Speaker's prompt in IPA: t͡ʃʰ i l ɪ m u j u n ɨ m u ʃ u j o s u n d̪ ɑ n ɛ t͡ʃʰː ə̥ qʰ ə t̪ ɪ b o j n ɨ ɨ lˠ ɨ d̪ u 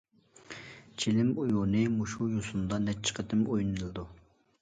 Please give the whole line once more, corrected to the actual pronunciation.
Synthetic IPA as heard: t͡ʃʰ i l ɪ m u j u n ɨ m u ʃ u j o s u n d̪ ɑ n ɛ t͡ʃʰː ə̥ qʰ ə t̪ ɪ m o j n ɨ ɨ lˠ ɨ d̪ u